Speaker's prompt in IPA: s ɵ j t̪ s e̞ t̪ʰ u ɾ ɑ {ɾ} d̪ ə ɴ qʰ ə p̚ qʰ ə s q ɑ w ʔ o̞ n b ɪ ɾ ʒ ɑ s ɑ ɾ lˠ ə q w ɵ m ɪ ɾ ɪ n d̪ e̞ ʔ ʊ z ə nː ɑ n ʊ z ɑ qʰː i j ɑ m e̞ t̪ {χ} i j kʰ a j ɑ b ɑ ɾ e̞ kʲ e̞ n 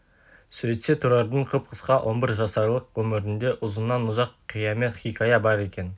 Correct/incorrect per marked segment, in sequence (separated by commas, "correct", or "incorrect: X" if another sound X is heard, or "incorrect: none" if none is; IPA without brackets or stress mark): correct, correct